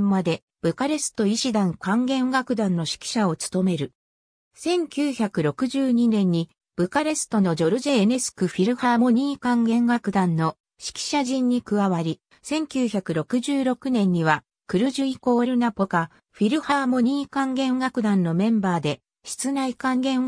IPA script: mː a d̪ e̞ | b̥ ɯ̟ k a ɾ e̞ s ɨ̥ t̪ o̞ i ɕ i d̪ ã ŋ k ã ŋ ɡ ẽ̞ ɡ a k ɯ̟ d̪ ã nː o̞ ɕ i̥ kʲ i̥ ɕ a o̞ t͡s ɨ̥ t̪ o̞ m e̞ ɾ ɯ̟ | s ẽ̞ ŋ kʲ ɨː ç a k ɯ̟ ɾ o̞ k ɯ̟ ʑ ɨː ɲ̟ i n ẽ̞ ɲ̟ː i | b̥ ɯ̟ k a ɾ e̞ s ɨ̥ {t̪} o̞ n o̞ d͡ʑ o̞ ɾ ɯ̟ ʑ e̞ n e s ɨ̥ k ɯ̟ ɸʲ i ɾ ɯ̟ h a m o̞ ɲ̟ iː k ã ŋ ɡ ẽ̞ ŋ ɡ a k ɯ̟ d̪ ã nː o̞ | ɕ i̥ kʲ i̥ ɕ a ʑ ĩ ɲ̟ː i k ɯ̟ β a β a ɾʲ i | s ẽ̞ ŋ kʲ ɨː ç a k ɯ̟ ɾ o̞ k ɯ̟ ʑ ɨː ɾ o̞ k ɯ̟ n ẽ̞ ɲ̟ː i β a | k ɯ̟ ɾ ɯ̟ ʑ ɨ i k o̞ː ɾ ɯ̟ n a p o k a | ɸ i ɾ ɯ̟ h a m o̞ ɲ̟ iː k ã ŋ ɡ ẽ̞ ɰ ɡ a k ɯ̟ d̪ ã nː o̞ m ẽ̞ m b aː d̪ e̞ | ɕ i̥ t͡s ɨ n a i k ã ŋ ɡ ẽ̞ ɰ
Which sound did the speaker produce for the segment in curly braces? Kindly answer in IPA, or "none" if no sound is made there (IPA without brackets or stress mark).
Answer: t̪